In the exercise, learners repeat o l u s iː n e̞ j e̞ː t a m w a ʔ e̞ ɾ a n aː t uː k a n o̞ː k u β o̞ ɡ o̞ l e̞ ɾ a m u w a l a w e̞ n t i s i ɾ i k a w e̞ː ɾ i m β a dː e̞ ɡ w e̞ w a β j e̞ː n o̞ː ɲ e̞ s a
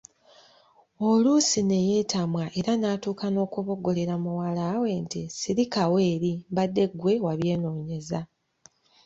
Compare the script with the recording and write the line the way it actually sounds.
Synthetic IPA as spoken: o l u s i n e̞ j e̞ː t a m w a ʔ e̞ ɾ a n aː t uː k a n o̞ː k u β o̞ ɡ o̞ l e̞ ɾ a m u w a l a w e̞ n t i s i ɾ i k a w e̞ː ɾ i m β a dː e̞ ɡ w e̞ w a β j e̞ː n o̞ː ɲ e̞ z a